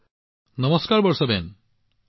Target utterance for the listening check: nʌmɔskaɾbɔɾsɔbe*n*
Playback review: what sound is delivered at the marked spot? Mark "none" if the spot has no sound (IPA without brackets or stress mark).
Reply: n